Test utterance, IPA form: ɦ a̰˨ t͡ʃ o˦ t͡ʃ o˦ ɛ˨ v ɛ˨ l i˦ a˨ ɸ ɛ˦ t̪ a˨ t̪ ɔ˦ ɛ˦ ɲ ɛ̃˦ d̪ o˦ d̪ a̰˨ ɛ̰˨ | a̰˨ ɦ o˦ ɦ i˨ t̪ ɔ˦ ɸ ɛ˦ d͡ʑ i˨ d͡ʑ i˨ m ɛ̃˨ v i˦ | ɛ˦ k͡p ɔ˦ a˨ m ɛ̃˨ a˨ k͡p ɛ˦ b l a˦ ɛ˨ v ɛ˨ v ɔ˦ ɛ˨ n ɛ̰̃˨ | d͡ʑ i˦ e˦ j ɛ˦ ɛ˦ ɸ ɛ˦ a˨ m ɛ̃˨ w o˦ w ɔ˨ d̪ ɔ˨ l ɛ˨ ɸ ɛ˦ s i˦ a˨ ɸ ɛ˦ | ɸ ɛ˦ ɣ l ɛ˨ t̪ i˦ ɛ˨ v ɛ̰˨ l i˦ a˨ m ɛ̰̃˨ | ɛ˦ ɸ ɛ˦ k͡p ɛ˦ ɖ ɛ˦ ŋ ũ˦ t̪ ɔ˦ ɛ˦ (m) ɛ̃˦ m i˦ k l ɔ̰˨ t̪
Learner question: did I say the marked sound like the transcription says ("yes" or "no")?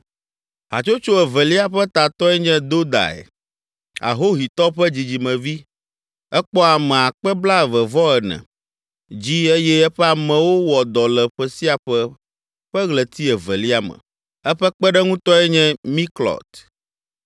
no